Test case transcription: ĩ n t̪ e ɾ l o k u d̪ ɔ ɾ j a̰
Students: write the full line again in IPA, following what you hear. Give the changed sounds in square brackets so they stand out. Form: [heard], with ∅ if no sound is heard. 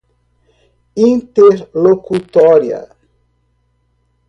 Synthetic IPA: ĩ n t̪ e ɾ l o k u [t̪] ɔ ɾ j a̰